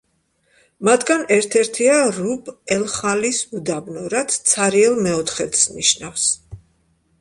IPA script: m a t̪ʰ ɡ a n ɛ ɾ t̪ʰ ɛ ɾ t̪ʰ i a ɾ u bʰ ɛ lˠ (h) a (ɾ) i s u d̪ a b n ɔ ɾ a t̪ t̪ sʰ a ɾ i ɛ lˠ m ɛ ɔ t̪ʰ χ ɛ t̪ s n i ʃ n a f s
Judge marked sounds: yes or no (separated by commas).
no, no